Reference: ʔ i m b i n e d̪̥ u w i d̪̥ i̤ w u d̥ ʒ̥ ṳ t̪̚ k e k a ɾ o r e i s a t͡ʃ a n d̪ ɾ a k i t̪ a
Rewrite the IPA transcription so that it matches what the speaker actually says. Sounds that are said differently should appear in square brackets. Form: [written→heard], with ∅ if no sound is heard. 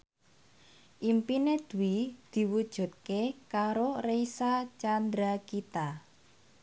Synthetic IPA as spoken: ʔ i m [b→p] i n e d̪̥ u w i d̪̥ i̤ w u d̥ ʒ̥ ṳ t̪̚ k e k a ɾ o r e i s a t͡ʃ a n d̪ ɾ a k i t̪ a